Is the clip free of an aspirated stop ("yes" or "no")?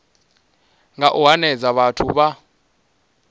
no